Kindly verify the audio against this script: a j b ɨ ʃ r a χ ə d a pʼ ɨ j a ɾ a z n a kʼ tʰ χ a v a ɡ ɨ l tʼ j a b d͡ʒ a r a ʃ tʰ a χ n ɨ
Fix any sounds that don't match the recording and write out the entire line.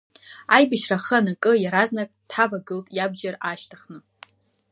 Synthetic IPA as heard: a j b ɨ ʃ r a χ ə n a kʼ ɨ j a ɾ a z n a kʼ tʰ ħ a v a ɡ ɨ l tʼ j a b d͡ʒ a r a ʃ tʰ a χ n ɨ